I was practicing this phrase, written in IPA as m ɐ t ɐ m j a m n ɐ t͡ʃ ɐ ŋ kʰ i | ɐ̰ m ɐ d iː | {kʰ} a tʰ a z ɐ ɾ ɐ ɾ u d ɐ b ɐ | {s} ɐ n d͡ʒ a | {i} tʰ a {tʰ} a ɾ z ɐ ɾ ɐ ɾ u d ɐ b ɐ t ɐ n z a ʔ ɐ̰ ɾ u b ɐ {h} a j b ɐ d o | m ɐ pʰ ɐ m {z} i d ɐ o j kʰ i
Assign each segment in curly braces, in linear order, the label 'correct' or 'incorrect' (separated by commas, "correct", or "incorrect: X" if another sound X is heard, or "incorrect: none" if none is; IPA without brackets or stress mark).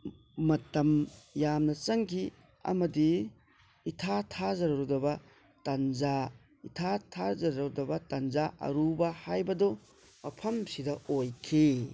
incorrect: tʰ, incorrect: t, correct, correct, correct, incorrect: s